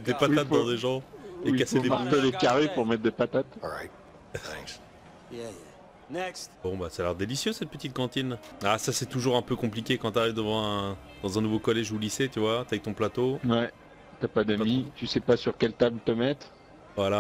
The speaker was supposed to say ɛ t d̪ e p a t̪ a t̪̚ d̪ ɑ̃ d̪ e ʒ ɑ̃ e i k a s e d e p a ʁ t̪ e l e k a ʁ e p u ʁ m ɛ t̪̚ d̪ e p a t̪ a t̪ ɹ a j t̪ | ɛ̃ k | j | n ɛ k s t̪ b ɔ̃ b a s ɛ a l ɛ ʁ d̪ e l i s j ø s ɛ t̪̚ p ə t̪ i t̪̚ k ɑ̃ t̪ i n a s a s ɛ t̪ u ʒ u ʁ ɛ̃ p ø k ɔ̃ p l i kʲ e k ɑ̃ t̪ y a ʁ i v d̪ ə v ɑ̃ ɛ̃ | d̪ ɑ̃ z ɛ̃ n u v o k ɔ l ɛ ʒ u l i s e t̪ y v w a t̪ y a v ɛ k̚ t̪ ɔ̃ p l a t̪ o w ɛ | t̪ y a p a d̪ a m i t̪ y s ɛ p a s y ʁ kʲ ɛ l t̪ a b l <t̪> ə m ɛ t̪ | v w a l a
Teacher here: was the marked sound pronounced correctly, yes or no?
yes